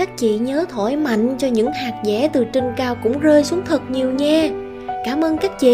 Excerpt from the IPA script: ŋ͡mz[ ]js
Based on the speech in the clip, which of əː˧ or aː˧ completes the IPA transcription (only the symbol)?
əː˧